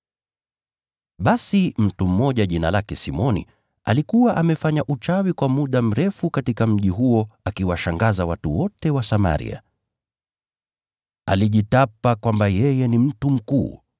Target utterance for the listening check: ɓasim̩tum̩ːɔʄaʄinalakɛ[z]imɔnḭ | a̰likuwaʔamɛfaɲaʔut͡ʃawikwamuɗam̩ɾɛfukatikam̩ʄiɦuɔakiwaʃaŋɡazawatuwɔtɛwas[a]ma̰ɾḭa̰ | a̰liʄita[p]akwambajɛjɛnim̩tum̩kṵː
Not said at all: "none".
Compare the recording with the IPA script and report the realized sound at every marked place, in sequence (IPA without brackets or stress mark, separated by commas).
s, a, p